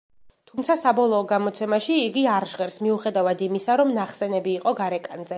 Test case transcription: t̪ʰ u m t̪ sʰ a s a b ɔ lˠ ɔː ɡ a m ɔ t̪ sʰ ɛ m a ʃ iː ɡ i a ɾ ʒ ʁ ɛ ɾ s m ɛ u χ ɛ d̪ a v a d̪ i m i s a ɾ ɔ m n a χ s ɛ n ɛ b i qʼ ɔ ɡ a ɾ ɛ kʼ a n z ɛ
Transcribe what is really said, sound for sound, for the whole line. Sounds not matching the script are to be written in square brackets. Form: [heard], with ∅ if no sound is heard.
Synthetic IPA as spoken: t̪ʰ u m t̪ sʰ a s a b ɔ lˠ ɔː ɡ a m ɔ t̪ sʰ ɛ m a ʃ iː ɡ i a ɾ ʒ ʁ ɛ ɾ s m [i] u χ ɛ d̪ a v a d̪ i m i s a ɾ ɔ m n a χ s ɛ n ɛ b [iː] qʼ ɔ ɡ a ɾ ɛ kʼ a n z ɛ